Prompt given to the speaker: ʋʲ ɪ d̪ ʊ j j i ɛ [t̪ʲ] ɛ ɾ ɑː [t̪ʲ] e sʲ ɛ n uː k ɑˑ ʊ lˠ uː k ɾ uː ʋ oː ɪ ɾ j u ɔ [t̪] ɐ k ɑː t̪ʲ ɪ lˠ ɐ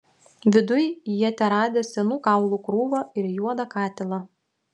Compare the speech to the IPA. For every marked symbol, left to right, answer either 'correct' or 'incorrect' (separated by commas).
correct, incorrect, incorrect